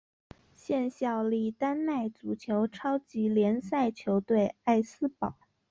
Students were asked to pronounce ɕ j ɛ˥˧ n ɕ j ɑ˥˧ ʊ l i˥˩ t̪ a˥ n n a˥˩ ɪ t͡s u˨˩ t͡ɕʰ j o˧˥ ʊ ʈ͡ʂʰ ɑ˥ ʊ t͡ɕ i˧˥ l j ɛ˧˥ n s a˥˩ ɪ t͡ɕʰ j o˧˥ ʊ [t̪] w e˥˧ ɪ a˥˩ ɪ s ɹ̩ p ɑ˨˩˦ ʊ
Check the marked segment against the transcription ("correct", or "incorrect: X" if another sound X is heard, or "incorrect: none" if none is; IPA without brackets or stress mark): correct